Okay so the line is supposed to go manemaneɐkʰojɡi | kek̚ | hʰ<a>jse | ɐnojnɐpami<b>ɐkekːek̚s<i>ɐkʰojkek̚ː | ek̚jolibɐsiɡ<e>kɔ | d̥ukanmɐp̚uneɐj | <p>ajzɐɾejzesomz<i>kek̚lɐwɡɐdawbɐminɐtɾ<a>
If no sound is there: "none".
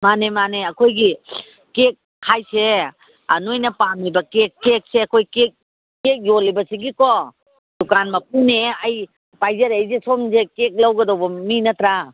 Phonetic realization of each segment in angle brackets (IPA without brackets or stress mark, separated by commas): a, b, e, i, p, e, a